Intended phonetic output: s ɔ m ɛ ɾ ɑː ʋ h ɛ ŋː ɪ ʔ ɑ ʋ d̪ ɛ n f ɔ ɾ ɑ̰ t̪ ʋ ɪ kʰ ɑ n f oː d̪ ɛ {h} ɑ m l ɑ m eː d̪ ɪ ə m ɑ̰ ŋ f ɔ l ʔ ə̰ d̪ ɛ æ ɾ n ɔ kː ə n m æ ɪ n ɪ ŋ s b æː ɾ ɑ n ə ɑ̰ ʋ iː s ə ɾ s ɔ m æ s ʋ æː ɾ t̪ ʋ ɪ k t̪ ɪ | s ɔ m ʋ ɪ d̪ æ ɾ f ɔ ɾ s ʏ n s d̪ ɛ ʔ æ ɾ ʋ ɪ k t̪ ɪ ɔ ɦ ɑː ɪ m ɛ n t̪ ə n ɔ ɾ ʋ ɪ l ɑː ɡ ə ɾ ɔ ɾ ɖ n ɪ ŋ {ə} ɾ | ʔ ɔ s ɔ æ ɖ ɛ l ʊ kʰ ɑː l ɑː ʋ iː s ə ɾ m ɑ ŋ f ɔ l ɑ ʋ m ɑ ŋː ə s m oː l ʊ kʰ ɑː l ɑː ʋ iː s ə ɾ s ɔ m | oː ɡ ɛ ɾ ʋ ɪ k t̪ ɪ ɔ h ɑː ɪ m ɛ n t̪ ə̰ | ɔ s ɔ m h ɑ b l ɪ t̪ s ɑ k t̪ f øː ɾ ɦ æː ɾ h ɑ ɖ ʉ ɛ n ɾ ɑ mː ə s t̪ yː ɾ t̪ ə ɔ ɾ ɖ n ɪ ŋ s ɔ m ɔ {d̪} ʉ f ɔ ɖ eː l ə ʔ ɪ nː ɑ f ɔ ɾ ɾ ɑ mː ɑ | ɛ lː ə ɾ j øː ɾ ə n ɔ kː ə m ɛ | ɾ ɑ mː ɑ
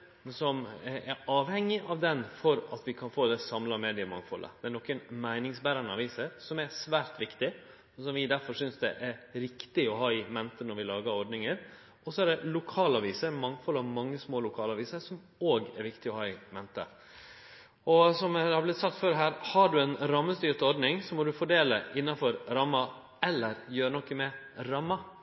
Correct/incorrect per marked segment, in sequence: incorrect: s, correct, correct

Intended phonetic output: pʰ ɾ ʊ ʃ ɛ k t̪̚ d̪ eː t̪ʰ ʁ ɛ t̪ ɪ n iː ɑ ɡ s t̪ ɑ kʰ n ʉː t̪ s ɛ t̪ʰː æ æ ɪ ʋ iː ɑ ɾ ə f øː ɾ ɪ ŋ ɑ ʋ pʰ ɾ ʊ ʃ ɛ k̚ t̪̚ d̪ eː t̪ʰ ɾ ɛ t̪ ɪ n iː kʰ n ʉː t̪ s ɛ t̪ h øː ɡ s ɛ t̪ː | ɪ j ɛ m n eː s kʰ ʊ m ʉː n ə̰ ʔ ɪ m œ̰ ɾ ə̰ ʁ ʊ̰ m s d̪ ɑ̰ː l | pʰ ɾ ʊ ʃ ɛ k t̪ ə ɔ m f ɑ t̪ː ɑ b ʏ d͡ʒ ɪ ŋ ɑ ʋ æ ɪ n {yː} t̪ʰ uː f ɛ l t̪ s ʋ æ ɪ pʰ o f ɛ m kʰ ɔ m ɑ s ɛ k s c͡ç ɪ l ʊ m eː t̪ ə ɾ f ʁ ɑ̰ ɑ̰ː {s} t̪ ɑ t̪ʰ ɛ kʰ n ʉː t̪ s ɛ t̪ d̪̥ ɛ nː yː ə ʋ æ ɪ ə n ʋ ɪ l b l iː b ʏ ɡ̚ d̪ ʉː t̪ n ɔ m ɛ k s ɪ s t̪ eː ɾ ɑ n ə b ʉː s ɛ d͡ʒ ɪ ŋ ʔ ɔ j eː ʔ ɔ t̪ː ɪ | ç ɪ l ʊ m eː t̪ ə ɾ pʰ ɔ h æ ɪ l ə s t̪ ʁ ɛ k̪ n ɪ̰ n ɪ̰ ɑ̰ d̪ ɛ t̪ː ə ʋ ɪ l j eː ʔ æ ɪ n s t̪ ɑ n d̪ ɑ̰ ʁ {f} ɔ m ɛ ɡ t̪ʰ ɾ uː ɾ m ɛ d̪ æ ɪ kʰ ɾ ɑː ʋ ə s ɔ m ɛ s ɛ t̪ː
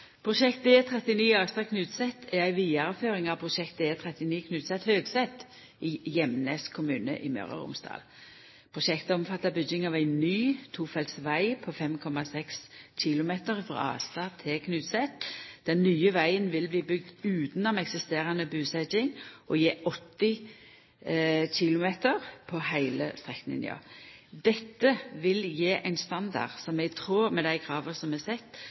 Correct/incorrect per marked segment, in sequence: correct, correct, incorrect: s

